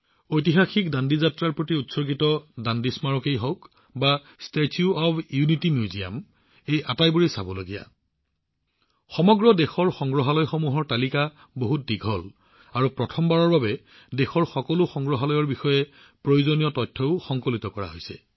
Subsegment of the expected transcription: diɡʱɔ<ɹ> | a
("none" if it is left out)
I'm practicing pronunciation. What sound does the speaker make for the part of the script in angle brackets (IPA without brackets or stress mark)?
l